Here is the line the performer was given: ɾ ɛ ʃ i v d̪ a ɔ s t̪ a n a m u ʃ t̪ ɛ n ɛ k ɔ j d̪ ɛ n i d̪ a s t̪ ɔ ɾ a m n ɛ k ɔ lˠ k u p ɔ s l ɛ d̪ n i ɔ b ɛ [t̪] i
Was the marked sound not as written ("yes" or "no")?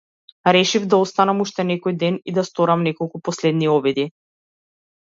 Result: yes